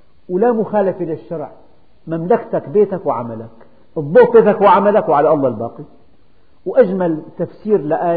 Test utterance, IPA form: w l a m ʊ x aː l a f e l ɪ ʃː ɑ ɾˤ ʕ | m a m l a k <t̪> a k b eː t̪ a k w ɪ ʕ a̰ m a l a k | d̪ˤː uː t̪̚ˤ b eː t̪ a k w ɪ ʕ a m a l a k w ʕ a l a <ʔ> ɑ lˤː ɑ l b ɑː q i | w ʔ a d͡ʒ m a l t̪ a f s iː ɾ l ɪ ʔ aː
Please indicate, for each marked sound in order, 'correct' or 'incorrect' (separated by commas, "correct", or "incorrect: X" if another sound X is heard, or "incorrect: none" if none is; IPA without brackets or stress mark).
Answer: correct, correct